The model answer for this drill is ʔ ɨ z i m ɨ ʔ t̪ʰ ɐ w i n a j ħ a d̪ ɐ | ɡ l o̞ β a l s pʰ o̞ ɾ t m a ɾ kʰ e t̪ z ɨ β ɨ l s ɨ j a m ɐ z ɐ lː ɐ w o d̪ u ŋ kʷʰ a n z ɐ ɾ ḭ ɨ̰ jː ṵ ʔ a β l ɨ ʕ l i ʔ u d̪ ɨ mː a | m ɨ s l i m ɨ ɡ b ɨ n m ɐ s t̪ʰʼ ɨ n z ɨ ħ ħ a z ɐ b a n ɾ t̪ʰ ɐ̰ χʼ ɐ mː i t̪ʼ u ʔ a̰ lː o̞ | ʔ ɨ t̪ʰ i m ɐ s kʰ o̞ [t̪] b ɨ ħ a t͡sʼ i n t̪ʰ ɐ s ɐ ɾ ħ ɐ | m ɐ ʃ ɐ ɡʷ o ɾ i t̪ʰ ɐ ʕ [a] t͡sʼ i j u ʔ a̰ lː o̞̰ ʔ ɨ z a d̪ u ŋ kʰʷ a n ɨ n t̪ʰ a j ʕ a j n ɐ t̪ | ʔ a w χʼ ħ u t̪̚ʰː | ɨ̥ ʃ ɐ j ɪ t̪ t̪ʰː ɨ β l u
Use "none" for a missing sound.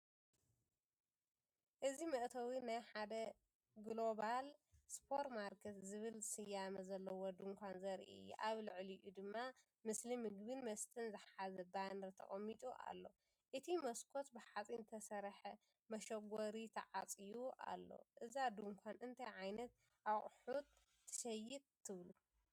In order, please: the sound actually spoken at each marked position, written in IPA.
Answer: t̪, a

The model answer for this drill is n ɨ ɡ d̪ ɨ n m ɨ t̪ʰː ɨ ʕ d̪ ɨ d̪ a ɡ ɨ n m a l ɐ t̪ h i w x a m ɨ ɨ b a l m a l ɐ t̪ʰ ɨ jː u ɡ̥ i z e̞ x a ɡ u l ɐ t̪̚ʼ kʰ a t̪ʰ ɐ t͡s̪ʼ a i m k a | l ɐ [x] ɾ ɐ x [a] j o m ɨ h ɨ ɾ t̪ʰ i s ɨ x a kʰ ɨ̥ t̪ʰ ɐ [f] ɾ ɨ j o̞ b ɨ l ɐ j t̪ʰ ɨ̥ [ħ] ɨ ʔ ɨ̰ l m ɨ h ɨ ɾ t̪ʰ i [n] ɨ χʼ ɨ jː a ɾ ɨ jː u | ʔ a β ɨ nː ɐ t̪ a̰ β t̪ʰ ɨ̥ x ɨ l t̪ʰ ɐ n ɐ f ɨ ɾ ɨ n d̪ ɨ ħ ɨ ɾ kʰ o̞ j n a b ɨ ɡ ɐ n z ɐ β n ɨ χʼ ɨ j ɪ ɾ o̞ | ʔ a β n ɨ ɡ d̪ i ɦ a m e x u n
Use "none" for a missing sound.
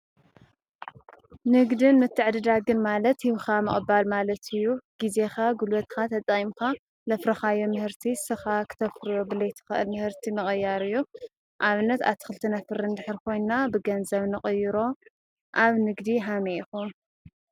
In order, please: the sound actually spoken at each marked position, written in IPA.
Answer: f, a, f, x, m

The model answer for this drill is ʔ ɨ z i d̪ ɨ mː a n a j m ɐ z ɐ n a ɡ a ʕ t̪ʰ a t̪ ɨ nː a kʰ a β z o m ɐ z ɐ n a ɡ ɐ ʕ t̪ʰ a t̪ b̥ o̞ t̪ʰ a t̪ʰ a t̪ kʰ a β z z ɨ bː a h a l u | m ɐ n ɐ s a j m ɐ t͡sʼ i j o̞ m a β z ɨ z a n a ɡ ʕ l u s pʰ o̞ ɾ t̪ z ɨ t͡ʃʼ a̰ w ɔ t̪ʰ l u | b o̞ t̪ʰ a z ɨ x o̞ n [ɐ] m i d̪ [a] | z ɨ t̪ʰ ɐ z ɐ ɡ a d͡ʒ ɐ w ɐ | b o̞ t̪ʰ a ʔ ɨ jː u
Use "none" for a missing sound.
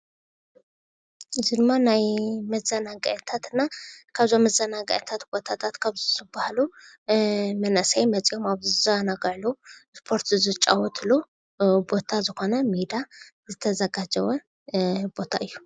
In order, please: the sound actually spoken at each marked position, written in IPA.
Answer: ɐ, a

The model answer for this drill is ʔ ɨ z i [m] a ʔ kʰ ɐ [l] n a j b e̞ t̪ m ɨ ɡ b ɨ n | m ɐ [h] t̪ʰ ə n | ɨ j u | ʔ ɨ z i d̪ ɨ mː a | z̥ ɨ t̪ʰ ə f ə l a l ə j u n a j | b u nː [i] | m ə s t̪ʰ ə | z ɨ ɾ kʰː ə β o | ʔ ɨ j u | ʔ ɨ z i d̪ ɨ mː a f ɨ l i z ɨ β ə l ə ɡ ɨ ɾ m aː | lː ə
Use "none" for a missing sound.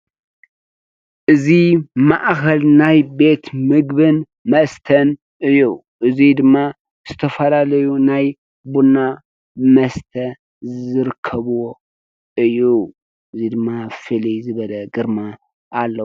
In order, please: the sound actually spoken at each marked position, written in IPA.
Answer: m, l, s, a

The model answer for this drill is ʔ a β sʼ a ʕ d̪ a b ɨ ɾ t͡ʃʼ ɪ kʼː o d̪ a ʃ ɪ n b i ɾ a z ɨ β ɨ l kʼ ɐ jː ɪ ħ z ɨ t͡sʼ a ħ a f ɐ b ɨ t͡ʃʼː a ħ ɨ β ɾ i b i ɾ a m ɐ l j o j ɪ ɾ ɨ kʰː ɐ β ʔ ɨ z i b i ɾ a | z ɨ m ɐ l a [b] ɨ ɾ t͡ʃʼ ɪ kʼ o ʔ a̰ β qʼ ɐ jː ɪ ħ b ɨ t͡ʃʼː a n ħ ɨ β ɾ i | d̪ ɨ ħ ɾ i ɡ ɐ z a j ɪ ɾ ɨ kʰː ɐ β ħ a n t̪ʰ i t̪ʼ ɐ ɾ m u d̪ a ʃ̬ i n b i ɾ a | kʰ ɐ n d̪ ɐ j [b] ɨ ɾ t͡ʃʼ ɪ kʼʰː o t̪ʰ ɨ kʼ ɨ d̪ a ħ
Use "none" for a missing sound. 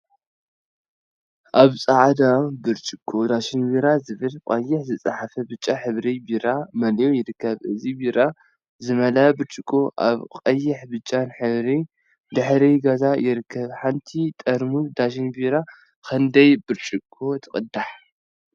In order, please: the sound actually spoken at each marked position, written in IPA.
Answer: b, b

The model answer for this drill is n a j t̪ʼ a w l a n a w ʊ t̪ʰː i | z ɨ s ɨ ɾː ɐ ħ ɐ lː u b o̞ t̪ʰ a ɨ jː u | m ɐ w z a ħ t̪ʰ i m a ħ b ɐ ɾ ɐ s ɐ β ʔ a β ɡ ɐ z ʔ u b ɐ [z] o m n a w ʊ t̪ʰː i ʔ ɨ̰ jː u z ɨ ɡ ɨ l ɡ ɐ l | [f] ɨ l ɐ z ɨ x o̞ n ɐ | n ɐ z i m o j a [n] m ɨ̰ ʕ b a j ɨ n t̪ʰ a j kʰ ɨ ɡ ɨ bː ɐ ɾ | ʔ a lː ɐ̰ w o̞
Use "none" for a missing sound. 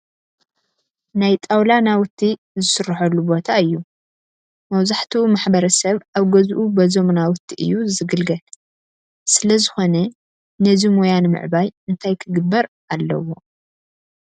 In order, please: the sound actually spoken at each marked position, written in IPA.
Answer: z, s, n

